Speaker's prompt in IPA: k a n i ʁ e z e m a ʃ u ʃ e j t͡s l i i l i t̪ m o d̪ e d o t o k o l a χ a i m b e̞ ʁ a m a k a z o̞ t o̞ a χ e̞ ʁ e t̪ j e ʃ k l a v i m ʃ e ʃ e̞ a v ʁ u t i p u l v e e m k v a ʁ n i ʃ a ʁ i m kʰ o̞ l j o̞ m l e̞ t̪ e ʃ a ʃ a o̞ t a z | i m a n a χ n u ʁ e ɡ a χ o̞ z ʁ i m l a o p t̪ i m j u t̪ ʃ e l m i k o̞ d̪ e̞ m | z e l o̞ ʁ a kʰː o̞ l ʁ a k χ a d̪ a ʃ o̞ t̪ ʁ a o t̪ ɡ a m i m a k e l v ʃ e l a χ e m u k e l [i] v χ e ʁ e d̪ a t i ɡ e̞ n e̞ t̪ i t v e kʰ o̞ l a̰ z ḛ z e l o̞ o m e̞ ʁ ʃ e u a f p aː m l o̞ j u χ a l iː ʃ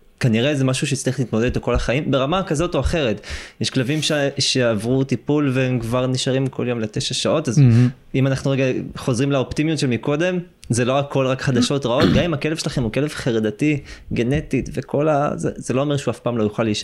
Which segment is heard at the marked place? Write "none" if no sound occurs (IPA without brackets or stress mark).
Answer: e